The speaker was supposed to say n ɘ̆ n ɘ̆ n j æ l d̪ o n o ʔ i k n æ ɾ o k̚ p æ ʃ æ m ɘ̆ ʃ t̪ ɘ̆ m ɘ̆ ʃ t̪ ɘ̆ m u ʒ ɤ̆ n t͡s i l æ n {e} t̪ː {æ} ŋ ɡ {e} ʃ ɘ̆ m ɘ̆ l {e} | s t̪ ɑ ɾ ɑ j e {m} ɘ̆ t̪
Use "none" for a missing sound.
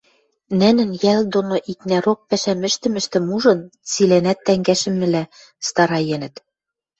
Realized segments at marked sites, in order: æ, æ, æ, æ, n

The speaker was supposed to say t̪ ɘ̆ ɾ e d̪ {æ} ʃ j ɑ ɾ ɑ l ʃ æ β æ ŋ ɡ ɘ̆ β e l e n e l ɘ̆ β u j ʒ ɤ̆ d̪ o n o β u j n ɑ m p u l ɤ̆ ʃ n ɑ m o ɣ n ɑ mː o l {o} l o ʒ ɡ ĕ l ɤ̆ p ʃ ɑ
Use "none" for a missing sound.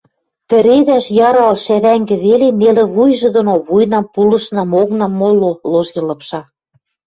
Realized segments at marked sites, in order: æ, o

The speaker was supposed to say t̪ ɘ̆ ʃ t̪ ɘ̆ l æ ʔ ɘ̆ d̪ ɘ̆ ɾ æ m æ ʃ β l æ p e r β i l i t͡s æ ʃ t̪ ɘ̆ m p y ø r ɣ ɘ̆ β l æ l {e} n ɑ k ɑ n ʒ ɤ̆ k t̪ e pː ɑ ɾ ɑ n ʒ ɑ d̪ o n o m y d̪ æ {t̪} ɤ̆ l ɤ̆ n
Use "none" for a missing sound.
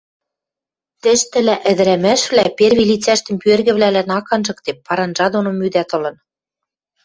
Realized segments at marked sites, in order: æ, t̪

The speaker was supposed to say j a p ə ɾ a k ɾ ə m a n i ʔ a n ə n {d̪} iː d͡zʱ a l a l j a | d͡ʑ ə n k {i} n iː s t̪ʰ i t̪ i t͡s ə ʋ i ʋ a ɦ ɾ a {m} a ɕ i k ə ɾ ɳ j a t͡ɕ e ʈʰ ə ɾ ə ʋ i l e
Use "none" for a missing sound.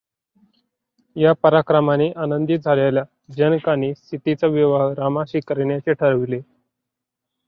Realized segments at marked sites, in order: d̪, a, m

